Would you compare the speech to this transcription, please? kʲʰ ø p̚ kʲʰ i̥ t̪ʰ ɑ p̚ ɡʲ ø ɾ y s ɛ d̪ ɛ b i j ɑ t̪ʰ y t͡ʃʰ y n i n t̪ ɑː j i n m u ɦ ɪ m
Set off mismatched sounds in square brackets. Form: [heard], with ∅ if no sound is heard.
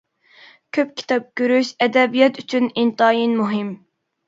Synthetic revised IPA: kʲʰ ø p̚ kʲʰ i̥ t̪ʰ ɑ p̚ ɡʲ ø ɾ y [ʃ] ɛ d̪ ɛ b i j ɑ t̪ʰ y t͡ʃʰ y n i n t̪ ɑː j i n m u ɦ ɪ m